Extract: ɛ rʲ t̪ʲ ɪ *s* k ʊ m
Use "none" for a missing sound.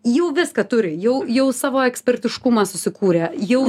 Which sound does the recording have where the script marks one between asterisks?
ʃ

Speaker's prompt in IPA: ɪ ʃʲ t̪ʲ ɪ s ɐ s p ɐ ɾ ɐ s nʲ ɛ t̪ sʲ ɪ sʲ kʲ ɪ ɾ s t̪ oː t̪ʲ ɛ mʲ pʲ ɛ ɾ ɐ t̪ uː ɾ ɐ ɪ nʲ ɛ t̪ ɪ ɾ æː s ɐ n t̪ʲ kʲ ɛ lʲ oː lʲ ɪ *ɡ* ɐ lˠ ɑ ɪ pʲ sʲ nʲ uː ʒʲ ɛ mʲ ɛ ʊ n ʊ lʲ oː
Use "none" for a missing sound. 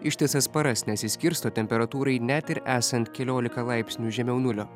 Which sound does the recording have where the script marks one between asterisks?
k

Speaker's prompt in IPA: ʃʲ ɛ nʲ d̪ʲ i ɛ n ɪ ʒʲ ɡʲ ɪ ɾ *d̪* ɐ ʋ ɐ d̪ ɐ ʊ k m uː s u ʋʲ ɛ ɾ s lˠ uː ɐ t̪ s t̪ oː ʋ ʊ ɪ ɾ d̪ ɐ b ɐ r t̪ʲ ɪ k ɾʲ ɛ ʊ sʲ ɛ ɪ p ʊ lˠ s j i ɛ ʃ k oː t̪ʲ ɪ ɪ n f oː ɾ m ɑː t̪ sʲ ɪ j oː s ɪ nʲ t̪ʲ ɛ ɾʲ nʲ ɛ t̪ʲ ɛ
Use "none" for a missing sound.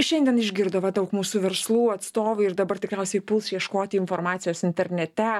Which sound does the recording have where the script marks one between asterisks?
d̪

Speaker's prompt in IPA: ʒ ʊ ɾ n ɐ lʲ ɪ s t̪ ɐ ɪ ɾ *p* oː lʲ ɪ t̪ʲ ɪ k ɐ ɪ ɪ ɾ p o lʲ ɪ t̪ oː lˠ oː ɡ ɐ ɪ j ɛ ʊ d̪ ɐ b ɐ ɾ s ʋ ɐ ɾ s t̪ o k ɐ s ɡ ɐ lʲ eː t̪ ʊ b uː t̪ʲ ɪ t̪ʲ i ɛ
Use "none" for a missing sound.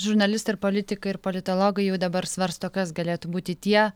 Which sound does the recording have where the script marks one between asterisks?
p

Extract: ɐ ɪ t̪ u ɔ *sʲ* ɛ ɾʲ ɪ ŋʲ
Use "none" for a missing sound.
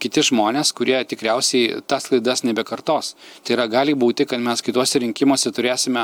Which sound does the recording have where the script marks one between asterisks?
sʲ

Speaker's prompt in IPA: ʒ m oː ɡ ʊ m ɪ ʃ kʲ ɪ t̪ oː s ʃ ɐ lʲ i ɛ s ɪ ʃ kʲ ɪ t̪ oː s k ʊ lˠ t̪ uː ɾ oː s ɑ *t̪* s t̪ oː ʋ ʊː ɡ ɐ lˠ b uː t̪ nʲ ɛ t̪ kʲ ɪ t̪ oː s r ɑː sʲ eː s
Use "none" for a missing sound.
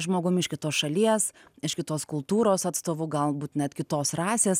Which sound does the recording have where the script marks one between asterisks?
t̪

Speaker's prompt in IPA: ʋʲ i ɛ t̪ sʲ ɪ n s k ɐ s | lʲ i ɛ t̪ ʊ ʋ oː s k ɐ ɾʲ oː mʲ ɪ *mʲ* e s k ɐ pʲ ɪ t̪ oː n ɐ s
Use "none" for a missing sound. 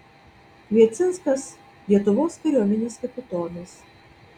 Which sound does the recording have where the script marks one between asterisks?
nʲ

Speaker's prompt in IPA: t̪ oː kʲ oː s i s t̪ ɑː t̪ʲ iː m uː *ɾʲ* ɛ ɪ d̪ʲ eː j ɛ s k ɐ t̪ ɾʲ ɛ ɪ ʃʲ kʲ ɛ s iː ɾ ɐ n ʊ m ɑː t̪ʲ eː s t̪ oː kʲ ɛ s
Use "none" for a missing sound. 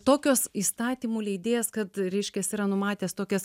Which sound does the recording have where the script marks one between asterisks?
lʲ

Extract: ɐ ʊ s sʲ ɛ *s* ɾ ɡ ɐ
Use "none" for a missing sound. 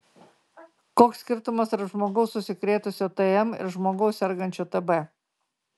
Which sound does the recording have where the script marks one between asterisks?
none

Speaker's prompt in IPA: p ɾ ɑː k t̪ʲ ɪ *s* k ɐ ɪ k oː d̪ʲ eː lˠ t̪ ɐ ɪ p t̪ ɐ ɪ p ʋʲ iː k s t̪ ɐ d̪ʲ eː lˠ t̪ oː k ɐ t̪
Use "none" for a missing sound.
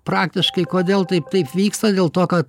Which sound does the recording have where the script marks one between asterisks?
ʃ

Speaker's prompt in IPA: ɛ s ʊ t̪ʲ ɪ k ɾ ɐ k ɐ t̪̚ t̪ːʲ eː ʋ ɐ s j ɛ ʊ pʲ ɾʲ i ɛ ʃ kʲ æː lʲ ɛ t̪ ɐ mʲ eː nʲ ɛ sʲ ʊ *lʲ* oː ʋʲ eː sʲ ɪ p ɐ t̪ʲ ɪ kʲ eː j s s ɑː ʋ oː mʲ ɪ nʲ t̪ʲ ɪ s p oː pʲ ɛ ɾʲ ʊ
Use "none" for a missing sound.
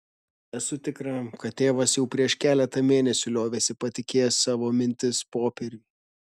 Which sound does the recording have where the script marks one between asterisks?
lʲ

